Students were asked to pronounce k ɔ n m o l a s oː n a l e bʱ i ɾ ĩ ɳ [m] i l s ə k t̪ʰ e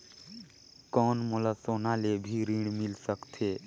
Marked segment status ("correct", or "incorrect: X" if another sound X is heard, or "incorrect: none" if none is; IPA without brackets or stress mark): correct